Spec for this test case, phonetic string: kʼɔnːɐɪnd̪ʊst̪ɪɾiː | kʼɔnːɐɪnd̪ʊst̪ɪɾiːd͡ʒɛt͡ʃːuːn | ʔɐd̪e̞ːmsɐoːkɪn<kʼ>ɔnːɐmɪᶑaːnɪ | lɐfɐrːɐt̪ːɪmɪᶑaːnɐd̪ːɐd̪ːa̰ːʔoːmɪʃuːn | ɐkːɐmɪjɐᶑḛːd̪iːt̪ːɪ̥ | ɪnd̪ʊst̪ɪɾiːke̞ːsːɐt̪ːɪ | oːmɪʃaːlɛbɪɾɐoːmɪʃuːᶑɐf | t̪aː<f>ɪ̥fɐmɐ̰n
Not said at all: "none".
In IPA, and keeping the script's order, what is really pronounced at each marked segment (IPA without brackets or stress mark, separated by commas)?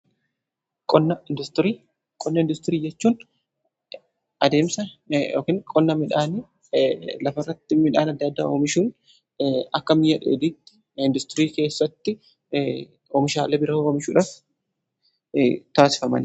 kʼ, s